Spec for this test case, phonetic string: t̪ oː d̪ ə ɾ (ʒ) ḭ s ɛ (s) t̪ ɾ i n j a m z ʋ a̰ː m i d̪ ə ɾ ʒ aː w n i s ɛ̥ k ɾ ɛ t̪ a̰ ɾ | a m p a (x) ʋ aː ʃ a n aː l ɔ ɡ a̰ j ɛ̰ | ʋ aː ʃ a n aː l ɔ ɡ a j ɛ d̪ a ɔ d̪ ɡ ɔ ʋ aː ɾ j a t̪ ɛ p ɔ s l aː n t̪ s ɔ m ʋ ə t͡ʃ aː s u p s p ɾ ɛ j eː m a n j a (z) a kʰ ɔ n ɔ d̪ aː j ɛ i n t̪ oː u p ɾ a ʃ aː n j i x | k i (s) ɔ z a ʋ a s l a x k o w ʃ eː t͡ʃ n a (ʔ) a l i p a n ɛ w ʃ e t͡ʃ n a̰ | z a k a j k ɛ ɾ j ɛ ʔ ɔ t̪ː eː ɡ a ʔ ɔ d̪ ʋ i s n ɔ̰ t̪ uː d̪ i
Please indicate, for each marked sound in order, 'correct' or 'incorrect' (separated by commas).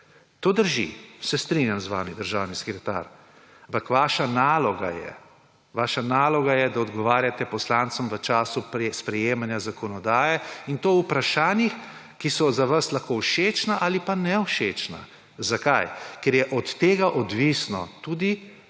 correct, correct, incorrect, correct, correct, correct